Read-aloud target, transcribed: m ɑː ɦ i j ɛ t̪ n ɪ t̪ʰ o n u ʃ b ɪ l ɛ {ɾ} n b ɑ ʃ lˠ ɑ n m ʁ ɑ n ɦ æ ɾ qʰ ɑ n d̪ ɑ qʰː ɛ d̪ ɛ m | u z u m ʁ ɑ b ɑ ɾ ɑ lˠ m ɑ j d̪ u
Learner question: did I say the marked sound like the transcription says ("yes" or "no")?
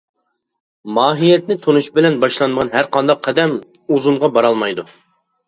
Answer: no